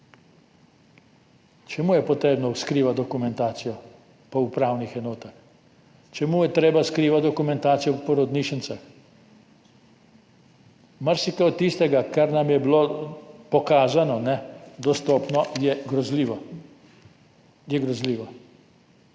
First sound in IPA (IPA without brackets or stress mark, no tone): t͡ʃ